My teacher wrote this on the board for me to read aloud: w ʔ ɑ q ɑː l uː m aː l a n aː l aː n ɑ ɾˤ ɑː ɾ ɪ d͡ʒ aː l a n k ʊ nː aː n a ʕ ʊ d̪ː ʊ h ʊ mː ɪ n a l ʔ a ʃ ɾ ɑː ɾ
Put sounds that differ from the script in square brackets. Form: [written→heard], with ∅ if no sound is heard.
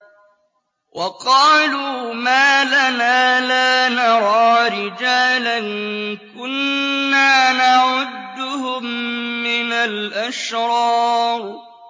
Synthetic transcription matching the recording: w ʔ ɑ q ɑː l uː m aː l a n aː l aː n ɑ ɾˤ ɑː ɾ ɪ d͡ʒ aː l a n k ʊ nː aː n a ʕ ʊ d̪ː ʊ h ʊ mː ɪ n a l ʔ a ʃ ɾ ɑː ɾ